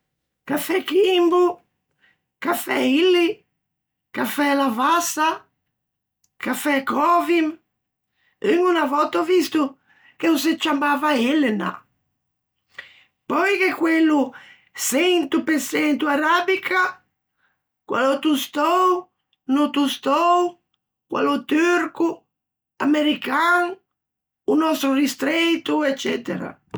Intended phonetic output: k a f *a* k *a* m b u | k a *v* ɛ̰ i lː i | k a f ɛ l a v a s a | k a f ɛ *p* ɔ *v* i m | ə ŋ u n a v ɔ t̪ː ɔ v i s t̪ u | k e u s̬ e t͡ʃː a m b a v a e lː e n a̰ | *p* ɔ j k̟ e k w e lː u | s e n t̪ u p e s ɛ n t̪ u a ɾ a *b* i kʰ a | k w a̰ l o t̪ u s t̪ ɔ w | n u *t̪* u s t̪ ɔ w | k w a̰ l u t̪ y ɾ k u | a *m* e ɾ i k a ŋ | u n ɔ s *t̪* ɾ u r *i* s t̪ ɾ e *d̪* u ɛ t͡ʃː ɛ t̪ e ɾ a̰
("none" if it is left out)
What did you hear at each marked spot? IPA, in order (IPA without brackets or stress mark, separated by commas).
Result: ɛ, i, f, k, v, p, b, t̪, m, t̪, i, t̪